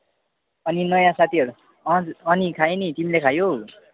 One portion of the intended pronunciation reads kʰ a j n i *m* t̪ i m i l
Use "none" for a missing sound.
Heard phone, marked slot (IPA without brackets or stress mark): none